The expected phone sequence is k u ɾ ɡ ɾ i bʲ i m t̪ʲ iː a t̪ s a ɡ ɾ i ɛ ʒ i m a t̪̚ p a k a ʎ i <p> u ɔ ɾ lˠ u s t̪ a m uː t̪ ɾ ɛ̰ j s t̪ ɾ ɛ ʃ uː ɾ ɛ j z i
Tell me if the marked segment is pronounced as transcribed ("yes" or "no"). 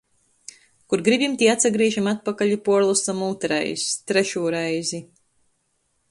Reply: yes